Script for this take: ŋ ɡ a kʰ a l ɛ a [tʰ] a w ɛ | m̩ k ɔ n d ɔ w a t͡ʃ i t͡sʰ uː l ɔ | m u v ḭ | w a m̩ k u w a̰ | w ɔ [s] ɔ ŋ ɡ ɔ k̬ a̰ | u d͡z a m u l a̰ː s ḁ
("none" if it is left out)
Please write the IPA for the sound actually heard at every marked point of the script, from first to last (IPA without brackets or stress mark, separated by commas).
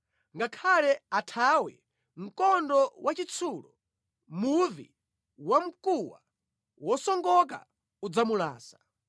tʰ, s